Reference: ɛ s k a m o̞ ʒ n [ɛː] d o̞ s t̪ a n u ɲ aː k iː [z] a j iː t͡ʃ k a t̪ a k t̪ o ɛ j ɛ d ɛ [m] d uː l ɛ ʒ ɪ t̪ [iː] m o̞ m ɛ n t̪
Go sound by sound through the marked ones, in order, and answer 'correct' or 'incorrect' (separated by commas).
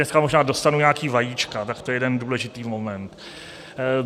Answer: incorrect, incorrect, incorrect, correct